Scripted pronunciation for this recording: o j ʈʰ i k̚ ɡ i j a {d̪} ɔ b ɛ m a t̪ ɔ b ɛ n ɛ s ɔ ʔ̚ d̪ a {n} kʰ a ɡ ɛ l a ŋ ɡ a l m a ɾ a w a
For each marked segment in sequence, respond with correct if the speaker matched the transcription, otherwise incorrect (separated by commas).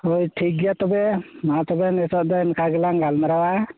incorrect, correct